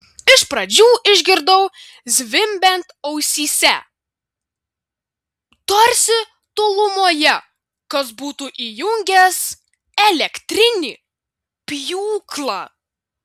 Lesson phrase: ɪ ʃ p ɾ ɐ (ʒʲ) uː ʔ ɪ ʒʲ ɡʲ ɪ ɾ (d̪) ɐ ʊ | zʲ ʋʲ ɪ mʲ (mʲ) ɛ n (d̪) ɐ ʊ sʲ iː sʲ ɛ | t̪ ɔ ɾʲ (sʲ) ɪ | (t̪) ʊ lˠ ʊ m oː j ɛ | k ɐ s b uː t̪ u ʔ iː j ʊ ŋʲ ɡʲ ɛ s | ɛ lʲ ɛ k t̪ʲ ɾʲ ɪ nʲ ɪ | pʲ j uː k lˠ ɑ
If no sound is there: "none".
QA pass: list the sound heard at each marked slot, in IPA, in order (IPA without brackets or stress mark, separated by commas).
d͡ʒʲ, d̪, bʲ, t̪, sʲ, t̪